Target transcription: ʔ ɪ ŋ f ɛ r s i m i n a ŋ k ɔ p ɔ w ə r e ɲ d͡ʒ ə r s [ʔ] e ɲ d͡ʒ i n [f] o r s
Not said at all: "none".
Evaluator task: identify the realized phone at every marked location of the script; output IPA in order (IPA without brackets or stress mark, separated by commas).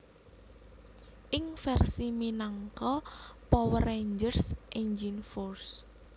ʔ, f